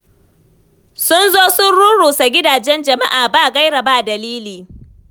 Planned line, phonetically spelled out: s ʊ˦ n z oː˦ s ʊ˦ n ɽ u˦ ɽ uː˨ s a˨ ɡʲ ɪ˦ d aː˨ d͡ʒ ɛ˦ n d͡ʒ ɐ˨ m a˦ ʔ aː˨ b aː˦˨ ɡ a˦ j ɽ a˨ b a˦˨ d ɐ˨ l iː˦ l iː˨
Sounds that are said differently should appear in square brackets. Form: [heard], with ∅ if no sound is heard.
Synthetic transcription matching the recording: s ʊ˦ n z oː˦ s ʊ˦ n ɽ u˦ ɽ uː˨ s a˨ ɡʲ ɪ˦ d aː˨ d͡ʒ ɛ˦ n d͡ʒ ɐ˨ m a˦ ʔ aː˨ b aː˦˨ ɡ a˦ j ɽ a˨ b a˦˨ d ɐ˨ l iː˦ l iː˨